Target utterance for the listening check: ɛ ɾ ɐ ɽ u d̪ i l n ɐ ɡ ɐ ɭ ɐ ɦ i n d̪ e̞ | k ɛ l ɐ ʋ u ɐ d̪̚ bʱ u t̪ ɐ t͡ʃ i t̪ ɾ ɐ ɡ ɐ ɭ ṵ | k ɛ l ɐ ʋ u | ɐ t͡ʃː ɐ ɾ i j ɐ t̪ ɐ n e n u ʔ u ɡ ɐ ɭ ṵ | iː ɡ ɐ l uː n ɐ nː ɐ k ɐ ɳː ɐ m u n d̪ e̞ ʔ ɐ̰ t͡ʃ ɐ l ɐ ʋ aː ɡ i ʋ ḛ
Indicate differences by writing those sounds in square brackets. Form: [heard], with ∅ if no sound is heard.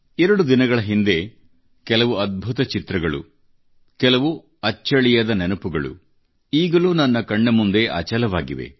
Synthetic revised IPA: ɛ ɾ ɐ ɽ u d̪ i [∅] n ɐ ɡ ɐ ɭ ɐ ɦ i n d̪ e̞ | k ɛ l ɐ ʋ u ɐ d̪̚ bʱ u t̪ ɐ t͡ʃ i t̪ ɾ ɐ ɡ ɐ ɭ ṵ | k ɛ l ɐ ʋ u | ɐ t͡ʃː ɐ [ɭ] i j ɐ [d̪] ɐ n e n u [p] u ɡ ɐ ɭ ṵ | iː ɡ ɐ l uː n ɐ nː ɐ k ɐ ɳː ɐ m u n d̪ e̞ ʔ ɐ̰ t͡ʃ ɐ l ɐ ʋ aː ɡ i ʋ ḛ